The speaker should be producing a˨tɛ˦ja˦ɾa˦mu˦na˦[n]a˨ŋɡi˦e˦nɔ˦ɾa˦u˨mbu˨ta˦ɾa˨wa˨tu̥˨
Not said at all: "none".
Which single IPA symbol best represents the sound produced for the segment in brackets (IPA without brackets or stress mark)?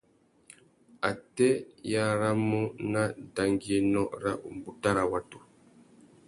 d